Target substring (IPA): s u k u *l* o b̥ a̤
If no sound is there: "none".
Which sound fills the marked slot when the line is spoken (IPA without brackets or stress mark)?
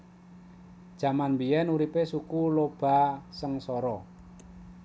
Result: l